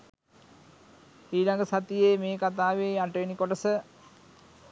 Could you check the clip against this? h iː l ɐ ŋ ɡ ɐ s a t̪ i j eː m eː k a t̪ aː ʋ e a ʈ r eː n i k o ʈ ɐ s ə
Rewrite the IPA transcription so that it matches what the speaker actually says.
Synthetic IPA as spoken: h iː l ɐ ŋ ɡ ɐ s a t̪ i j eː m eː k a t̪ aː ʋ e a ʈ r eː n i k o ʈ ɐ s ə